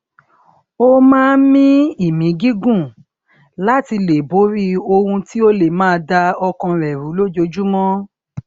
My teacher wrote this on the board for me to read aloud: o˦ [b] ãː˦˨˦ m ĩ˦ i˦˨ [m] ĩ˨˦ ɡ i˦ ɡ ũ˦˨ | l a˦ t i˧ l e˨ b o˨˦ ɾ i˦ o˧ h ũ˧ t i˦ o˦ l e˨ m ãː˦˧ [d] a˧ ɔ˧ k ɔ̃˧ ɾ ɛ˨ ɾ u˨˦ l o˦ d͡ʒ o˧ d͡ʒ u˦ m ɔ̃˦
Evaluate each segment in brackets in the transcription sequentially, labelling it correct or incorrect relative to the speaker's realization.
incorrect: m, correct, correct

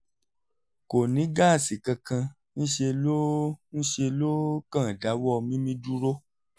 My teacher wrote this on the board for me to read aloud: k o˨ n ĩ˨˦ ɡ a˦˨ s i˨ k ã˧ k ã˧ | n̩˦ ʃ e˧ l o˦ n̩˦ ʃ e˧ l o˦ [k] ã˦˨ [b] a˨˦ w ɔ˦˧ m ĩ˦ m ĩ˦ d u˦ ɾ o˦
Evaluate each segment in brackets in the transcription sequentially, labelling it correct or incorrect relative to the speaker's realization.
correct, incorrect: d

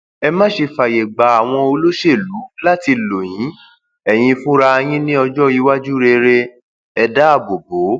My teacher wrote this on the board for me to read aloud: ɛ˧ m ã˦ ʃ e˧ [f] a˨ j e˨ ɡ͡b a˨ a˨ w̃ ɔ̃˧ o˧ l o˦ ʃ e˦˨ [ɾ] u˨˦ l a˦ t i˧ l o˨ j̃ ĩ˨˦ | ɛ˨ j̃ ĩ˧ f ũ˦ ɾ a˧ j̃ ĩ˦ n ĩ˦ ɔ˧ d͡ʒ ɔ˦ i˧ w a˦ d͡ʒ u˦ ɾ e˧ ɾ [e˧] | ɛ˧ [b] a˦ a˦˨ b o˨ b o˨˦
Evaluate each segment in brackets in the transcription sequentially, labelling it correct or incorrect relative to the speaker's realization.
correct, incorrect: l, correct, incorrect: d

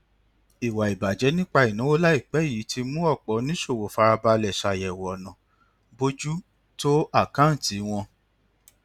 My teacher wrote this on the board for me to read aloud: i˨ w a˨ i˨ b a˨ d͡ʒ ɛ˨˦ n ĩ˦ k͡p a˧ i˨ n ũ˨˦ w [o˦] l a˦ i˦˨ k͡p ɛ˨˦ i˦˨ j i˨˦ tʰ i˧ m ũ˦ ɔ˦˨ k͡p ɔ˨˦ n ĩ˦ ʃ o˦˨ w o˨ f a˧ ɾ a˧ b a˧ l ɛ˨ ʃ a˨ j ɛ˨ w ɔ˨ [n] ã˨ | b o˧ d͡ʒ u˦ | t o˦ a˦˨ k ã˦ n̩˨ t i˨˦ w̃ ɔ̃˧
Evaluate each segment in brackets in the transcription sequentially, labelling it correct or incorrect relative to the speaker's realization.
correct, correct

